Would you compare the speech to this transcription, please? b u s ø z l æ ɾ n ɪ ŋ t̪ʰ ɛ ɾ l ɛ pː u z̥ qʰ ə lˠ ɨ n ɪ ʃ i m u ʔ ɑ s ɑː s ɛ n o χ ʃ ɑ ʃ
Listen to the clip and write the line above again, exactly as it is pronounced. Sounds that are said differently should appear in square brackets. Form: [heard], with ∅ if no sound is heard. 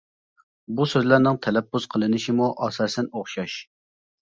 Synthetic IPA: b u s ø z l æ ɾ n ɪ ŋ t̪ʰ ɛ [∅] l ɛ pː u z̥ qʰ ə lˠ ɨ n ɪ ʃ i m u ʔ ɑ s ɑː s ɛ n o χ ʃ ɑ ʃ